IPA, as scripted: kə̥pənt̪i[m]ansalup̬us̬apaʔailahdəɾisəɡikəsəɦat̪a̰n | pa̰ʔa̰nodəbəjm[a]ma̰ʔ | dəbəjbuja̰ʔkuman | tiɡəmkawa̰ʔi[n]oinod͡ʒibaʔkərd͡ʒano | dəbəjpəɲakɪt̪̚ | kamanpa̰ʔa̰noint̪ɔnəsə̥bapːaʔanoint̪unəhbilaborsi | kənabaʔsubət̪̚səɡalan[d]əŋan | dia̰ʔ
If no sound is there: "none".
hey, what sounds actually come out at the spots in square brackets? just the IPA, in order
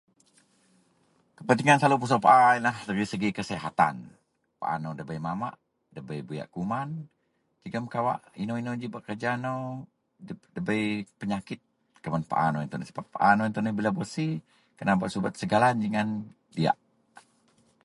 ŋ, a, n, d͡ʒ

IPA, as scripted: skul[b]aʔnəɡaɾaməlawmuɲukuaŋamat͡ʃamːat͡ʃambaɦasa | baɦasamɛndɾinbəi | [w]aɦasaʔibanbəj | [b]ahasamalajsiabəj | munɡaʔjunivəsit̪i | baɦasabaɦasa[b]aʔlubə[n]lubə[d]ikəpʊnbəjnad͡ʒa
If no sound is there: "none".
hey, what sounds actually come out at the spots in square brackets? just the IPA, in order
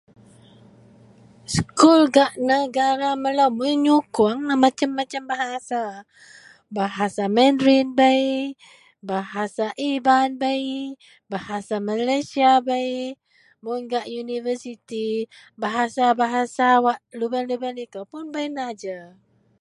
ɡ, b, b, w, n, n

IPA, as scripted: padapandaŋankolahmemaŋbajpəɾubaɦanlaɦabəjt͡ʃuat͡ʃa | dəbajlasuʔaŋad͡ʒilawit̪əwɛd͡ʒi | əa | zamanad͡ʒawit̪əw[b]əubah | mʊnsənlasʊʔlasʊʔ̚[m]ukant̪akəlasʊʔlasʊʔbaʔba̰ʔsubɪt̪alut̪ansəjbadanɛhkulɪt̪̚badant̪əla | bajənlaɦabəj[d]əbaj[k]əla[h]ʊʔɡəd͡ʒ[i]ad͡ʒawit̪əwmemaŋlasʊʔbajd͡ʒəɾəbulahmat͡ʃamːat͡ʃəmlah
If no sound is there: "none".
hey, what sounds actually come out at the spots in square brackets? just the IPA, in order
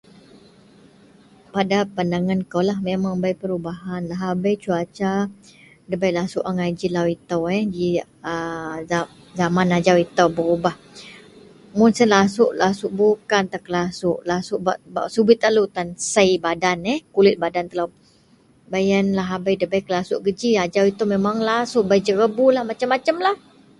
b, b, d, k, s, i

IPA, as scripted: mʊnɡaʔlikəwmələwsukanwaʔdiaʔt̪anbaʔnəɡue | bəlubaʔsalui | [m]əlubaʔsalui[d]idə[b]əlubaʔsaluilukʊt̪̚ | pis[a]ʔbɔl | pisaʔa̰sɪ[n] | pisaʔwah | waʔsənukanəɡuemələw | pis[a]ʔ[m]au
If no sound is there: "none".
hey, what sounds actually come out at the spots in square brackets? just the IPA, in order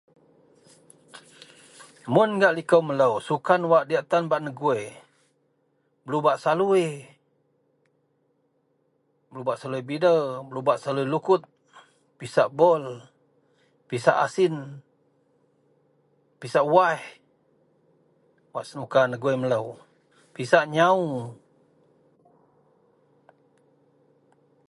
b, b, b, a, n, a, ɲ

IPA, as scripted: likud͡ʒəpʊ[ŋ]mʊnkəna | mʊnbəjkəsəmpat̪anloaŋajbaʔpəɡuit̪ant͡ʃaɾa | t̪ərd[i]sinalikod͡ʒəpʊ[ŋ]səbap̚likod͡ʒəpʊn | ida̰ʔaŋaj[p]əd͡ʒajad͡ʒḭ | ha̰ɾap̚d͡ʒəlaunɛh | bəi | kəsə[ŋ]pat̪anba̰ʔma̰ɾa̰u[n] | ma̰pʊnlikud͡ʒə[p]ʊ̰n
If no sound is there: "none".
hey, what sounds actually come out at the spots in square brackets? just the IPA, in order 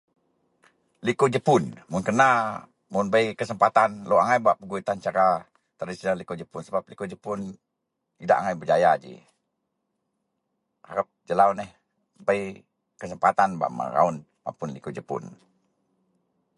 n, i, n, b, m, n, p

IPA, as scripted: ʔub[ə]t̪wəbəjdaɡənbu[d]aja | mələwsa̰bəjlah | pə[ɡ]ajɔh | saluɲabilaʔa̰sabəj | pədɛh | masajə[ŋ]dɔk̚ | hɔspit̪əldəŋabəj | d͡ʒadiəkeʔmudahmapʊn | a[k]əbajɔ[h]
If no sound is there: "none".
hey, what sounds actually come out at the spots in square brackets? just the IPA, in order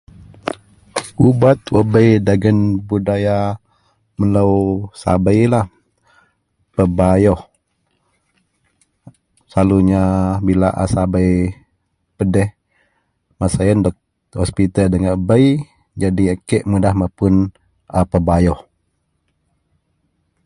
a, d, b, n, p, h

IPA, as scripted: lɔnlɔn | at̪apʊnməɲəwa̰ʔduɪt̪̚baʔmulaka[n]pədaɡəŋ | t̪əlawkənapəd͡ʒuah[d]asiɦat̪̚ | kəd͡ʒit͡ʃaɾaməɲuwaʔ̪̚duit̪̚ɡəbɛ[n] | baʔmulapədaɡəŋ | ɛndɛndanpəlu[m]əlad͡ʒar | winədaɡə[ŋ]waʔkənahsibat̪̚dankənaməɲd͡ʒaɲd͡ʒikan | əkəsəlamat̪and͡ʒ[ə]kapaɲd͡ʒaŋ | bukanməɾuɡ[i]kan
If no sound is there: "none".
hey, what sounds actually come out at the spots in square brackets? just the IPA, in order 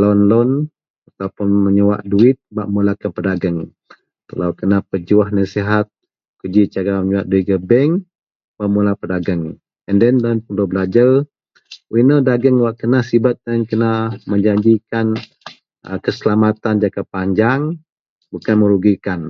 n, n, ŋ, b, ŋ, a, i

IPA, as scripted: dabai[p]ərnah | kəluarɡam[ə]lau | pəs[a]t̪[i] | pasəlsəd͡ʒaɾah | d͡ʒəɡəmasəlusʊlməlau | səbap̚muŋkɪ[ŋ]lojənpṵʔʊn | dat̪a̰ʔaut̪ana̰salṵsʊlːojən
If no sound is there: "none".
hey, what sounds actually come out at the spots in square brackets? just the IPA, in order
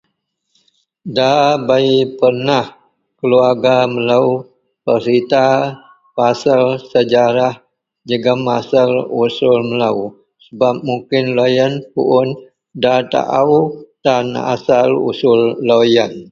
p, ə, i, a, n

